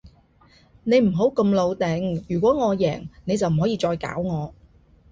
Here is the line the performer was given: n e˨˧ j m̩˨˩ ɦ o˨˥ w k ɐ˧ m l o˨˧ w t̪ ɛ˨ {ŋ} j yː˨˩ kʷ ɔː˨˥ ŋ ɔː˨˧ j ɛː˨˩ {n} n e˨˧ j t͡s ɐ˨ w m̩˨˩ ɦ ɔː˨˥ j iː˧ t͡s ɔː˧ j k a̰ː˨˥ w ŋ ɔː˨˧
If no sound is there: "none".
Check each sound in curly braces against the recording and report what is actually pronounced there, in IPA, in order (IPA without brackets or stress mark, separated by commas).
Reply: ŋ, ŋ